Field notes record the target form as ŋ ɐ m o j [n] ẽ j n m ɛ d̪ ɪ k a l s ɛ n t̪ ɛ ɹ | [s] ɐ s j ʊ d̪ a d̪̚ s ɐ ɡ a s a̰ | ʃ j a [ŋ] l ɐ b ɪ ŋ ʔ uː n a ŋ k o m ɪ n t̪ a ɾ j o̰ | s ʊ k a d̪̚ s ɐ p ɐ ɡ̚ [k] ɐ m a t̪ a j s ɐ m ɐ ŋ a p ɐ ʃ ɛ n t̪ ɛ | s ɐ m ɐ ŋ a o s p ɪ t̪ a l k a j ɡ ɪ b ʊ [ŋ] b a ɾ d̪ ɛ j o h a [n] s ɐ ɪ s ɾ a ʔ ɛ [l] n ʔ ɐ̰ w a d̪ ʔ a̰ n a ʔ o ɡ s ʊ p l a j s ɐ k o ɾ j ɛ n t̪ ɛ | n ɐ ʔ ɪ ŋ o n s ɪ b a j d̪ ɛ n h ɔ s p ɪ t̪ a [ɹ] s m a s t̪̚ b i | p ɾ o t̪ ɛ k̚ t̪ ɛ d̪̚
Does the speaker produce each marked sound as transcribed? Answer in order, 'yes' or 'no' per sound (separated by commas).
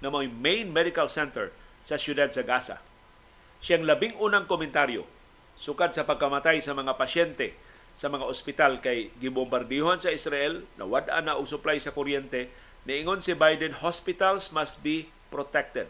no, yes, yes, yes, no, yes, yes, no